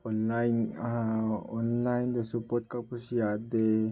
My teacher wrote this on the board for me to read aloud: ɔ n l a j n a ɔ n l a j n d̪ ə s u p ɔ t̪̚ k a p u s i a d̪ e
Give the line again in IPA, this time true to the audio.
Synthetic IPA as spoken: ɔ n l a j n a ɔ n l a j n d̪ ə s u p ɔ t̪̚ k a p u s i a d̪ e